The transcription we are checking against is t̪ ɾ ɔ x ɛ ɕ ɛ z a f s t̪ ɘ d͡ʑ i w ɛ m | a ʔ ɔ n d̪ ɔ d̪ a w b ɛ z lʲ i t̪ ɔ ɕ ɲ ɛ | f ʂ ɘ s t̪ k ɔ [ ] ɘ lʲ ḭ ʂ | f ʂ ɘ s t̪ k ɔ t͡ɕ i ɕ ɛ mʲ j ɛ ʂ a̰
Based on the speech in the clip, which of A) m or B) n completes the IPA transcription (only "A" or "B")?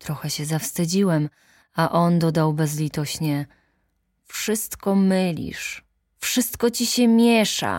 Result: A